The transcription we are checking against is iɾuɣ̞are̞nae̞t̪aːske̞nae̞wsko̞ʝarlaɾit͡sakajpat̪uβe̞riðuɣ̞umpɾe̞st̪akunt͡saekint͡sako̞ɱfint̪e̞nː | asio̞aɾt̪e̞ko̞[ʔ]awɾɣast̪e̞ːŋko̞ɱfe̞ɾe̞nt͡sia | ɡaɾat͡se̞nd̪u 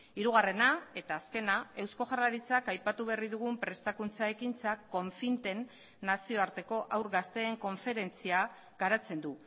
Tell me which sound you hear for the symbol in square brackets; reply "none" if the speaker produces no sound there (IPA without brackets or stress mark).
ʔ